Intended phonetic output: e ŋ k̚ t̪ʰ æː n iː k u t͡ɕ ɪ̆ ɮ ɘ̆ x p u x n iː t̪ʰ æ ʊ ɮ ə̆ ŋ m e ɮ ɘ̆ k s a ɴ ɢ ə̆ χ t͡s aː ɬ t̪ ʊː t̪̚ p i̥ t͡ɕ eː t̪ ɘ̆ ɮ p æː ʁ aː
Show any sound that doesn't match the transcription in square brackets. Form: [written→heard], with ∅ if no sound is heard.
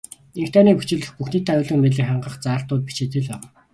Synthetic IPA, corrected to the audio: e ŋ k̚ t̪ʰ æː n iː [k→p] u t͡ɕ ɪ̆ ɮ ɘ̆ x p u x n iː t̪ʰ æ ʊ ɮ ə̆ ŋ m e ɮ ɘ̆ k [s→χ] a ɴ ɢ ə̆ χ t͡s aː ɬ t̪ ʊː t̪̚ p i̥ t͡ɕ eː t̪ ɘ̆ ɮ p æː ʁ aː